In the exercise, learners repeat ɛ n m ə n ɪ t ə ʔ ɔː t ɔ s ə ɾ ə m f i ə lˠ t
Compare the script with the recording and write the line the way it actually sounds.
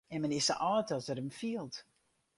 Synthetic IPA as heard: ɛ n m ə n ɪ s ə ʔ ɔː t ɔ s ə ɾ ə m f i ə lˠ t

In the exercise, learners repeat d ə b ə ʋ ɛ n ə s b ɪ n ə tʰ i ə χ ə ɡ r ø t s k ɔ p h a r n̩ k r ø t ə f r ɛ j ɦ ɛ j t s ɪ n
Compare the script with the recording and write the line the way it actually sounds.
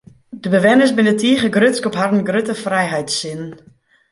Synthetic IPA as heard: d ə b ə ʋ ɛ n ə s b ɪ n ə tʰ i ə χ ə ɡ r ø t s k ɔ p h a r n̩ ɡ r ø t ə f r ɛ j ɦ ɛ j t s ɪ n

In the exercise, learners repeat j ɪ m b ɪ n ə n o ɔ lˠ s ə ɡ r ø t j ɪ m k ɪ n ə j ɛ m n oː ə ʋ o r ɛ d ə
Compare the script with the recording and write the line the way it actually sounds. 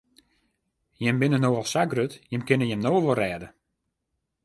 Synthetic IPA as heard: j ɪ m b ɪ n ə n o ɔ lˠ s a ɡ r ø t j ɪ m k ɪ n ə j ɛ m n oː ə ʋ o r ɛː d ə

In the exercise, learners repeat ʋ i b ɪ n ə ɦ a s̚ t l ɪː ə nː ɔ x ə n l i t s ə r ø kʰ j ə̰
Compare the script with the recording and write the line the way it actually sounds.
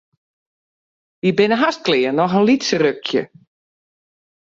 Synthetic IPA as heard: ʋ i b ɪ n ə ɦ a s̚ k l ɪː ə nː ɔ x ə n l i t s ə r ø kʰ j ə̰

